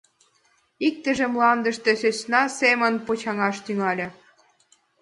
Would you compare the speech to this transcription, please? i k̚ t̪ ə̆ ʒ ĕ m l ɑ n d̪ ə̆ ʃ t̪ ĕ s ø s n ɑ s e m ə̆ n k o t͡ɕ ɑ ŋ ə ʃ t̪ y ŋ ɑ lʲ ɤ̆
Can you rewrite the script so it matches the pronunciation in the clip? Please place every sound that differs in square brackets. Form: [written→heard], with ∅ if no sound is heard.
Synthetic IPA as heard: i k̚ t̪ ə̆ ʒ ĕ m l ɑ n d̪ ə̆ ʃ t̪ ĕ s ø s n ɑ s e m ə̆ n [k→p] o t͡ɕ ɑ ŋ [ə→ɑ] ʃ t̪ y ŋ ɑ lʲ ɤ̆